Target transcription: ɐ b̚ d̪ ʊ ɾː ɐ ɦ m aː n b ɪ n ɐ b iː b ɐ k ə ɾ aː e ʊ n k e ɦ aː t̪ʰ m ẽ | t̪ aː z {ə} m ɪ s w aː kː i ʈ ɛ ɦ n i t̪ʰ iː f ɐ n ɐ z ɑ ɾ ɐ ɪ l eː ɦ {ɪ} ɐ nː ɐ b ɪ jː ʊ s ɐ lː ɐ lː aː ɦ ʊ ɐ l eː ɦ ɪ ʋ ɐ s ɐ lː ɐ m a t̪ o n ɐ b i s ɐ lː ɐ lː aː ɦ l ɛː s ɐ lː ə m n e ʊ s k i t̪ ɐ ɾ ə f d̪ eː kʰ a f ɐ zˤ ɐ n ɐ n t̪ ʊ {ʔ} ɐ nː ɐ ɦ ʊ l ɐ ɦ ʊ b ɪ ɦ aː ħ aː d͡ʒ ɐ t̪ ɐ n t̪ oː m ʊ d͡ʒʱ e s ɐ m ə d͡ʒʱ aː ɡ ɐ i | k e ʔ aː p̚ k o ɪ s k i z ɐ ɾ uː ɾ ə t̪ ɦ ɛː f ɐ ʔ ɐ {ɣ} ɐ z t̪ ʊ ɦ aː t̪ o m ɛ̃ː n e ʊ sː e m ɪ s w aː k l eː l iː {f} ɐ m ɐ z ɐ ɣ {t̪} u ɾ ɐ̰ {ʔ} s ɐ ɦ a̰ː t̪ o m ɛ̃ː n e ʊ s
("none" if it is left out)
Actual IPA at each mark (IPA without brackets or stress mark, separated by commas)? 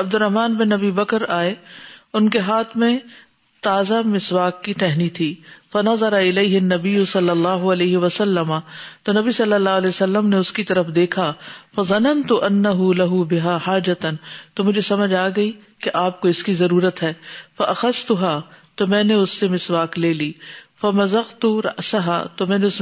a, ɪ, ʔ, x, f, t̪, ʔ